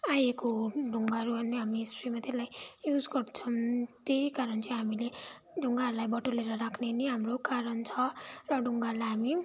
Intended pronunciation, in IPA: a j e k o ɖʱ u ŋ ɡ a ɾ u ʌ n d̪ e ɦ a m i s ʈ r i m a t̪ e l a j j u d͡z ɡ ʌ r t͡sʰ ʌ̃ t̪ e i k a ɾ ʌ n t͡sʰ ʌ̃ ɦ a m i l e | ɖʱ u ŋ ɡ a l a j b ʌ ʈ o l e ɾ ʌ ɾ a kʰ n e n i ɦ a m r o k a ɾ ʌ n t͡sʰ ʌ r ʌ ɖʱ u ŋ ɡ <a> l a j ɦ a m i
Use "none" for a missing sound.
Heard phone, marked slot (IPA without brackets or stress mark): a